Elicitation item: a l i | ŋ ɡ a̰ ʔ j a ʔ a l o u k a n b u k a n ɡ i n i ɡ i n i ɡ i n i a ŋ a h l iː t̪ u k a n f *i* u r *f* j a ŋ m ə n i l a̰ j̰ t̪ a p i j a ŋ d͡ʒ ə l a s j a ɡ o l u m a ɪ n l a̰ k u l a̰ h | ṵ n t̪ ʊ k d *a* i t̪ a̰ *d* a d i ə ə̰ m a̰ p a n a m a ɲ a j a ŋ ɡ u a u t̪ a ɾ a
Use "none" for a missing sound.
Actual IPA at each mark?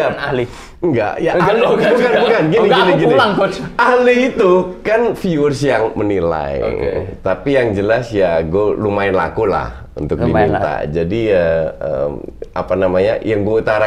i, s, i, d͡ʒ

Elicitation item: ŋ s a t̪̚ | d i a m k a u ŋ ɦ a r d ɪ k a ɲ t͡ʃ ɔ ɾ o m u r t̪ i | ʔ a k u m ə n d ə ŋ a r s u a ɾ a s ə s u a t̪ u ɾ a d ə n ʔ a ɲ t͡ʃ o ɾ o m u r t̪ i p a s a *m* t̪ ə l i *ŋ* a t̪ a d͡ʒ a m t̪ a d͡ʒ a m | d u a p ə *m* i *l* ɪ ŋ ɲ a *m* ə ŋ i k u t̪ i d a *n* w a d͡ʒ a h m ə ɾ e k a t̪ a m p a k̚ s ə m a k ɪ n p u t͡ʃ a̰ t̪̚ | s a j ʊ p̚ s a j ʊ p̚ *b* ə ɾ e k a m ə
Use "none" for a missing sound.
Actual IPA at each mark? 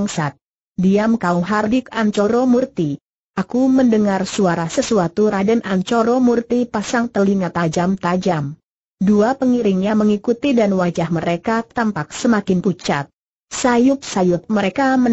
ŋ, ŋ, ŋ, ɾ, m, n, m

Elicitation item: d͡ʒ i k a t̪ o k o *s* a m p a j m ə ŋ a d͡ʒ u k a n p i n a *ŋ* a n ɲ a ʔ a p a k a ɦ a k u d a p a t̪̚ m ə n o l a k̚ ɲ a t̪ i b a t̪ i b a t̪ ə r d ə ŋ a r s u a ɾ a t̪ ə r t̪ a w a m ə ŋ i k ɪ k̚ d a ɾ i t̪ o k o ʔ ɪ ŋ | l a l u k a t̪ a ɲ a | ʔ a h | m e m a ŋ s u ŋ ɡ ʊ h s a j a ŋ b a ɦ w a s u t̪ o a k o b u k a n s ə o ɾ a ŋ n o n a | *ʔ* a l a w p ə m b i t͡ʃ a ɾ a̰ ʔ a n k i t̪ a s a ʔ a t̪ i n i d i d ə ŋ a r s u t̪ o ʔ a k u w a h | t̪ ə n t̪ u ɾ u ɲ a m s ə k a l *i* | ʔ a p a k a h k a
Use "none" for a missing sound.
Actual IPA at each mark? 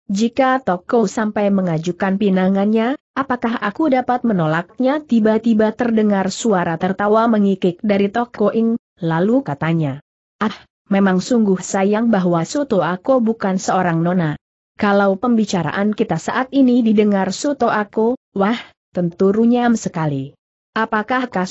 s, ŋ, k, i

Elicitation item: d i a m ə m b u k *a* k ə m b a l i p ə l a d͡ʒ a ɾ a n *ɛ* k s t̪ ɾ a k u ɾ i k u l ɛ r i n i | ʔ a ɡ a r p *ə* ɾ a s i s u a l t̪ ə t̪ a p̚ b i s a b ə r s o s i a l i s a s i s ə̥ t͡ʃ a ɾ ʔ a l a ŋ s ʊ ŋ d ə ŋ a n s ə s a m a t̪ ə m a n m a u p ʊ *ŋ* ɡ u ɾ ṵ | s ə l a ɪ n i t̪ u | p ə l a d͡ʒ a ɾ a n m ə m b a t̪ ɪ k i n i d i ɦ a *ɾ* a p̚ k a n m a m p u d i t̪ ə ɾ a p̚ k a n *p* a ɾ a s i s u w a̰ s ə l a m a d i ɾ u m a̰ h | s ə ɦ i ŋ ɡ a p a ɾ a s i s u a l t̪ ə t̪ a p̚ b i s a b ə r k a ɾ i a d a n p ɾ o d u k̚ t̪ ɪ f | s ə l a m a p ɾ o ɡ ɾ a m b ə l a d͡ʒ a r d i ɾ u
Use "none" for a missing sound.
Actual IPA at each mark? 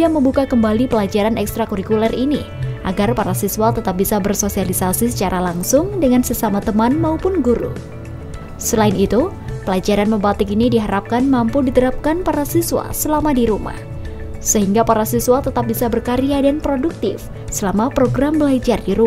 a, ɛ, a, n, ɾ, p

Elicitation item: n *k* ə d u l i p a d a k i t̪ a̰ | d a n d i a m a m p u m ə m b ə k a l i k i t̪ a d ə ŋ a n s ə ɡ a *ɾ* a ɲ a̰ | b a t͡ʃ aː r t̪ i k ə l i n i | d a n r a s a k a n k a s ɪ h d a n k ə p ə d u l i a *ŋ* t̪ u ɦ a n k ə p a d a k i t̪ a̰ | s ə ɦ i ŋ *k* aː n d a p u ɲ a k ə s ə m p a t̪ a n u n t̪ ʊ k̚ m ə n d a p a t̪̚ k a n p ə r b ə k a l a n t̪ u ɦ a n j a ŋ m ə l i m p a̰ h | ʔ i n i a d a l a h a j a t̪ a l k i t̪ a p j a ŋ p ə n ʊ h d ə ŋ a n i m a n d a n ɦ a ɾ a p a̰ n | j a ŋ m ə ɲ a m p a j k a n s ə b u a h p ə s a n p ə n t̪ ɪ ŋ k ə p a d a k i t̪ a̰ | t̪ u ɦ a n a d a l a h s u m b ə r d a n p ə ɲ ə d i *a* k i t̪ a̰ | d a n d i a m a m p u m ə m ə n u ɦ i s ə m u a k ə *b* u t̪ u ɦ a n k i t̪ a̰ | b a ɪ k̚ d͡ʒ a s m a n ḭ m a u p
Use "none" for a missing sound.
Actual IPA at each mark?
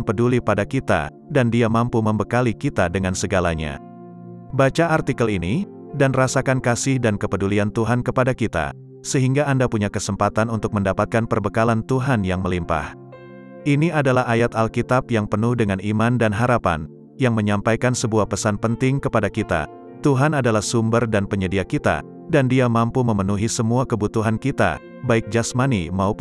p, l, n, ɡ, a, b

